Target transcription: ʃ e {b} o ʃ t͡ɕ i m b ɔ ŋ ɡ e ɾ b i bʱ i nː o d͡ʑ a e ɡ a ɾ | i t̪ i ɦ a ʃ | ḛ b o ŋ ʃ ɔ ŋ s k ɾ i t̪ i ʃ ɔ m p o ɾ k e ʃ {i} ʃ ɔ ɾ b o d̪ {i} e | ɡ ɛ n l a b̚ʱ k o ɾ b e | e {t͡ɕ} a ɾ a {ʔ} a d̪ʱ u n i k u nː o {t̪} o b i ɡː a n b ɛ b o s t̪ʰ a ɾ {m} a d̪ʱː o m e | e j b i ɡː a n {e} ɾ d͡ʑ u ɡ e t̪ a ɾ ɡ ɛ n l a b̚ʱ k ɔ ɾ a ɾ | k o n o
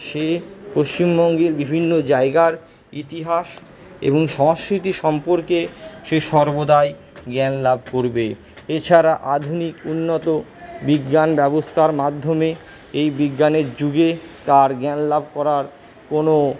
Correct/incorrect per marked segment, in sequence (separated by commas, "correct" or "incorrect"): incorrect, incorrect, incorrect, incorrect, correct, correct, correct, correct